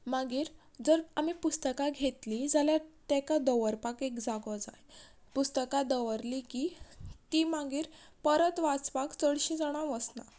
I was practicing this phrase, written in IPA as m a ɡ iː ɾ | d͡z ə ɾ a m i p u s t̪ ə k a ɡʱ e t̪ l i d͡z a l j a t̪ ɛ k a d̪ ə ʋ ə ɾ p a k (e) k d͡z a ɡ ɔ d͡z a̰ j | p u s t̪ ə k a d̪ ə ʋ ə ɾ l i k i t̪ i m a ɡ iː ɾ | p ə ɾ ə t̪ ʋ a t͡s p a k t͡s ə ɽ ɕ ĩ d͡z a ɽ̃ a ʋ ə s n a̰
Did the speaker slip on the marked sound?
no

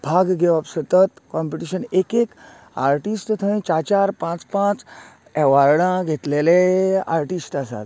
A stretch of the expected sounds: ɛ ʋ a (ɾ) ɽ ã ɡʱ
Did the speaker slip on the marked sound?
no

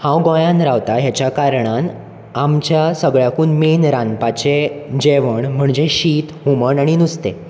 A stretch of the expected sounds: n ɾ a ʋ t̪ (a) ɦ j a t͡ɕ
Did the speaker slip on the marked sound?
no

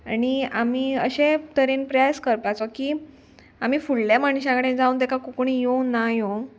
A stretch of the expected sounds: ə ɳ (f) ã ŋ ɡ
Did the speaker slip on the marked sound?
yes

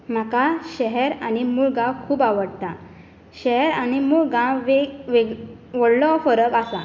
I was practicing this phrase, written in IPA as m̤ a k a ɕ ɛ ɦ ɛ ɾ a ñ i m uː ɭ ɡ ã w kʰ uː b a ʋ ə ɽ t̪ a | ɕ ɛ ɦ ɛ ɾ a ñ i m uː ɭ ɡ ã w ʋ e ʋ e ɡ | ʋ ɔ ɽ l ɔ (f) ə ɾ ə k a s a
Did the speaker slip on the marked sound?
no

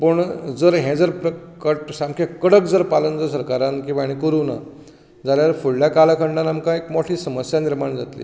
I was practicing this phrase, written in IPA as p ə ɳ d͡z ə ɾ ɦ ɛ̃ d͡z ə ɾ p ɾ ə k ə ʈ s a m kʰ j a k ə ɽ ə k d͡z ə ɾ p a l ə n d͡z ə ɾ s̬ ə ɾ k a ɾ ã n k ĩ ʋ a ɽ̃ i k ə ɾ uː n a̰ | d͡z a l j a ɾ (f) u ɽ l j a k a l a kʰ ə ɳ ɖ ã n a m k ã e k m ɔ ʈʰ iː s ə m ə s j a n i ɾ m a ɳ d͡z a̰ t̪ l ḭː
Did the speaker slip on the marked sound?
no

